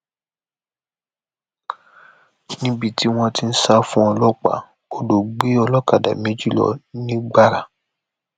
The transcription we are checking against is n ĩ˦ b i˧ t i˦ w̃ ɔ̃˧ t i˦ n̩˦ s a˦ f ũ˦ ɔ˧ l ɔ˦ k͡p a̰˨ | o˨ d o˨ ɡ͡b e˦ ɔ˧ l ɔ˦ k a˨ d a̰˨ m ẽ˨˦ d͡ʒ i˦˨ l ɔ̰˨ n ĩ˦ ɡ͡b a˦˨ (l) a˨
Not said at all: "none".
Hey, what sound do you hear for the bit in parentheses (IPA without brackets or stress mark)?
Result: ɾ